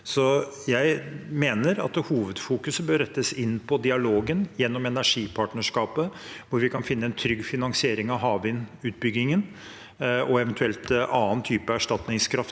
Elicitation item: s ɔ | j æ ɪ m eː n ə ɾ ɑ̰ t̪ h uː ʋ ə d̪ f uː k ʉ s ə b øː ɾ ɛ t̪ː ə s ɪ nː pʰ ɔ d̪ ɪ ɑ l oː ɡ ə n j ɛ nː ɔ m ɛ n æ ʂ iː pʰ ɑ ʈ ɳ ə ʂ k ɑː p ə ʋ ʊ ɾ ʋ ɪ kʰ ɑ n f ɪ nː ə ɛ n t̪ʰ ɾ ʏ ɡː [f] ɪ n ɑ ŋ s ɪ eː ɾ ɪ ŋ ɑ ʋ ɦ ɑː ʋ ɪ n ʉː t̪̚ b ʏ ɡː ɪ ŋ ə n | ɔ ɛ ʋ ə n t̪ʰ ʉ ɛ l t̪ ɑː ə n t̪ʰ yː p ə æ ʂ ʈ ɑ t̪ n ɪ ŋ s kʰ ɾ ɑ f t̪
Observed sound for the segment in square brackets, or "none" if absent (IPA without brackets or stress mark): f